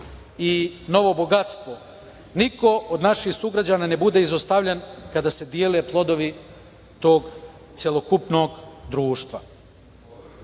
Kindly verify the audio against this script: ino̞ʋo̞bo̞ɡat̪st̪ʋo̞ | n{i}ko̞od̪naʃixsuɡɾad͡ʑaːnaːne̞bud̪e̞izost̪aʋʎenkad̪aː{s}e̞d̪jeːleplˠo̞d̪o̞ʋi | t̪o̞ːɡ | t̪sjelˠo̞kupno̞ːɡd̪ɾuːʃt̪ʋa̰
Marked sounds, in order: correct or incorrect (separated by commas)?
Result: correct, correct